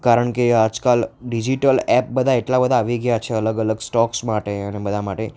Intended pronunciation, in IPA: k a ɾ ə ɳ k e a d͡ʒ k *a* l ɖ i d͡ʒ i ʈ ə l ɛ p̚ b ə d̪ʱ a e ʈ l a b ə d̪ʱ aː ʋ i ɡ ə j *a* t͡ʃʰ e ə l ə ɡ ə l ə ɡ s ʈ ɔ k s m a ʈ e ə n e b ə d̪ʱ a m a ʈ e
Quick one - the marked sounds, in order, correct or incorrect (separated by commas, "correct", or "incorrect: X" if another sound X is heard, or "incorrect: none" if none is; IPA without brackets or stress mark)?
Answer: correct, correct